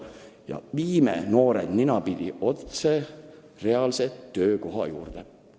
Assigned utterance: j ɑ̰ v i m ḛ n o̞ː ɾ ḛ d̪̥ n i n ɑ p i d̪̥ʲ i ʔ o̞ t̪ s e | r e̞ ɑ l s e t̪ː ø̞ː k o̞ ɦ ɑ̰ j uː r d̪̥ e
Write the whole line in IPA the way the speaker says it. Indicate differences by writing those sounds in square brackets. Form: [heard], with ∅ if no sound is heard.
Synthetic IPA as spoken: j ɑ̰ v [iː] m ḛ n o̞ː ɾ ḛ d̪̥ n i n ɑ p i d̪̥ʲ i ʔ o̞ t̪ s e | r e̞ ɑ l s e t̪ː ø̞ː k o̞ ɦ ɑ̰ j uː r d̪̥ e